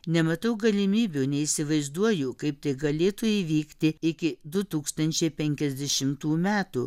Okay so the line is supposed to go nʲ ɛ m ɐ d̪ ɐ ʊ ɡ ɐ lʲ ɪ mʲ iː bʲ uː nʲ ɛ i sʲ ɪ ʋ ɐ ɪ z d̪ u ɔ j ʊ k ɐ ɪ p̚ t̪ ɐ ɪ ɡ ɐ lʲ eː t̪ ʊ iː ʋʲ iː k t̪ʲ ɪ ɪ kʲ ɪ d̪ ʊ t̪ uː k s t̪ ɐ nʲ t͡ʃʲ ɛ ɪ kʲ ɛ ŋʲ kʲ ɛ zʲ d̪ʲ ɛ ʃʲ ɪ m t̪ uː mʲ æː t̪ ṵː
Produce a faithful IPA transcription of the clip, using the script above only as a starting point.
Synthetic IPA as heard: nʲ ɛ m ɐ t̪ ɐ ʊ ɡ ɐ lʲ ɪ mʲ iː bʲ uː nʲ ɛ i sʲ ɪ ʋ ɐ ɪ z d̪ u ɔ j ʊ k ɐ ɪ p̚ t̪ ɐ ɪ ɡ ɐ lʲ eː t̪ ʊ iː ʋʲ iː k t̪ʲ ɪ ɪ kʲ ɪ d̪ ʊ t̪ uː k s t̪ ɐ nʲ t͡ʃʲ ɛ ɪ pʲ ɛ ŋʲ kʲ ɛ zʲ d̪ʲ ɛ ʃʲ ɪ m t̪ uː mʲ æː t̪ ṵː